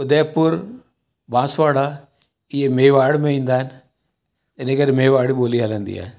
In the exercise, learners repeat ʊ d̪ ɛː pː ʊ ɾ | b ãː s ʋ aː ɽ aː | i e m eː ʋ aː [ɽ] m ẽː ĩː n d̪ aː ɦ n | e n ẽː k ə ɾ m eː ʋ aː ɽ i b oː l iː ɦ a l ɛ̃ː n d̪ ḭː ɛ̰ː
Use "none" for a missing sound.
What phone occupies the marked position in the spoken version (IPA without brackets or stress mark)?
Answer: ɽ